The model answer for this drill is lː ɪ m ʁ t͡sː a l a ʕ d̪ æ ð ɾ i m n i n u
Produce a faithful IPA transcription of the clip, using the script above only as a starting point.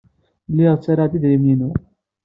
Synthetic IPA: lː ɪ ʁ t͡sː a ɾ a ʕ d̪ i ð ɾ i m n i n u